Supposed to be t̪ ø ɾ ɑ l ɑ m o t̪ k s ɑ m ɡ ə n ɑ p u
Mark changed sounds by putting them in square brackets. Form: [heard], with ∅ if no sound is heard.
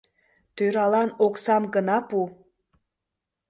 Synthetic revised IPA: t̪ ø ɾ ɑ l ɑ [n] o [∅] k s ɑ m ɡ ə n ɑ p u

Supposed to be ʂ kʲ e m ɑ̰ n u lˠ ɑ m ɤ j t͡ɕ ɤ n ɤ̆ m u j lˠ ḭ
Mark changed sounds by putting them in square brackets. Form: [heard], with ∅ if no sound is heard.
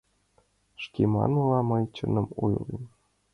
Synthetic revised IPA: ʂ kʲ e m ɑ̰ n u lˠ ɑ m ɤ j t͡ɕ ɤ n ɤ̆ m u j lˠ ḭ

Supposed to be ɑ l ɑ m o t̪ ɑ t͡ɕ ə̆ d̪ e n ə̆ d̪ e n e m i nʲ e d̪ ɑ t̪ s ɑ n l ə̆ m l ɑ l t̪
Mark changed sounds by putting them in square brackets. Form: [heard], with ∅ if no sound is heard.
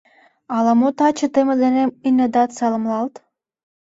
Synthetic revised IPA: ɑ l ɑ m o t̪ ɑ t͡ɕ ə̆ [t̪] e [m] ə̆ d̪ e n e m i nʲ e d̪ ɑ t̪ s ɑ [∅] l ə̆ m l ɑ l t̪

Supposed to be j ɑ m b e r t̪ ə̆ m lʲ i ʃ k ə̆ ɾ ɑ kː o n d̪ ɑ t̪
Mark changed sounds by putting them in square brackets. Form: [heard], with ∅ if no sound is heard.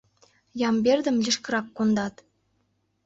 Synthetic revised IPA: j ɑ m b e r [d̪] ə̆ m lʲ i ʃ k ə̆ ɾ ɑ kː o n d̪ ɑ t̪

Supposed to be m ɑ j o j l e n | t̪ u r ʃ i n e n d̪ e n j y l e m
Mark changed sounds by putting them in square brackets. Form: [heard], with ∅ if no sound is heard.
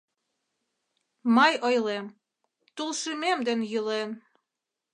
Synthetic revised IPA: m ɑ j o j l e [m] | t̪ u [l] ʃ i [m] e [m] d̪ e n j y l e [n]

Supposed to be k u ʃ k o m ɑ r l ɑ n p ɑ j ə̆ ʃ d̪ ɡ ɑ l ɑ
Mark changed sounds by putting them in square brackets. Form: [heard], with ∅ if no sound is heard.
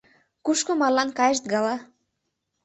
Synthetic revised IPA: k u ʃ k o m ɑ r l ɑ n [k] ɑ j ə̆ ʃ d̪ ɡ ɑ l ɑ

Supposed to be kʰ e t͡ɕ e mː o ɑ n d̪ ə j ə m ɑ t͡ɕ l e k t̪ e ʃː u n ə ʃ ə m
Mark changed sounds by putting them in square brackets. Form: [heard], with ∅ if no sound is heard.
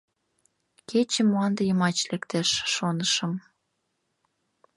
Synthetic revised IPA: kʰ e t͡ɕ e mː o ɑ n d̪ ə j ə m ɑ t͡ɕ l e k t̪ e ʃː [o] n ə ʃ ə m

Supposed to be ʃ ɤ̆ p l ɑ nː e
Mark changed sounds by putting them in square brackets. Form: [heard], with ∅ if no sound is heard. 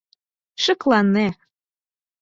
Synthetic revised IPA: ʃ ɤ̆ [k] l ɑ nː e

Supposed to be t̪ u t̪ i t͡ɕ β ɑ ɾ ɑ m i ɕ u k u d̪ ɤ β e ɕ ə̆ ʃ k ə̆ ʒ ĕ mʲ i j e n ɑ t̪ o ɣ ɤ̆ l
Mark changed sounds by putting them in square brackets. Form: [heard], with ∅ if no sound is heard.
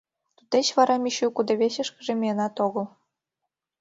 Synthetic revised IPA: t̪ u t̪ [e] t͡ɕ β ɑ ɾ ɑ m i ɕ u k u d̪ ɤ β e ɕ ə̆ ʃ k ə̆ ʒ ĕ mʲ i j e n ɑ t̪ o ɣ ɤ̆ l

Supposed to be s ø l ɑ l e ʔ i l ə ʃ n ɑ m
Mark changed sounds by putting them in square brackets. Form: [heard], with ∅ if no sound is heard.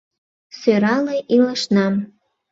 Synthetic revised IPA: s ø [ɾ] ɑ l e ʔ i l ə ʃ n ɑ m

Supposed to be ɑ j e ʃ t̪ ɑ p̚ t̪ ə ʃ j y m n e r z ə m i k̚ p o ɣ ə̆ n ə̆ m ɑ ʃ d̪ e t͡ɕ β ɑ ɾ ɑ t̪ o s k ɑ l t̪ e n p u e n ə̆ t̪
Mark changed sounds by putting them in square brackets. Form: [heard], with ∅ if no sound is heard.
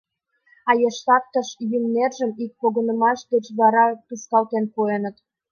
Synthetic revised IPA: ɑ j e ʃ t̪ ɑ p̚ t̪ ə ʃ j y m n e r [ʒ] ə m i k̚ p o ɣ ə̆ n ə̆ m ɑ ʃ d̪ e t͡ɕ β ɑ ɾ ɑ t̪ [u] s k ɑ l t̪ e n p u e n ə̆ t̪

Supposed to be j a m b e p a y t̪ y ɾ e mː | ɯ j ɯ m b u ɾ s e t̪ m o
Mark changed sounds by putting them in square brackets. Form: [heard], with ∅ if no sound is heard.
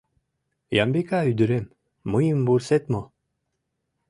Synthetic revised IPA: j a m b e [k] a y [d̪] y ɾ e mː | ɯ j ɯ m b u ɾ s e t̪ m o

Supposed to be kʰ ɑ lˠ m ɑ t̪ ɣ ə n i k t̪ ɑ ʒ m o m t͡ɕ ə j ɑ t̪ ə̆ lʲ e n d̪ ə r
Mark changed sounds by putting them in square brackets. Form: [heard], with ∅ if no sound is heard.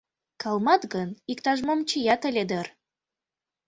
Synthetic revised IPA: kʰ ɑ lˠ m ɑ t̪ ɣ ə n i k t̪ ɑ ʒ m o m t͡ɕ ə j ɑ t̪ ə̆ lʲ e [∅] d̪ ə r

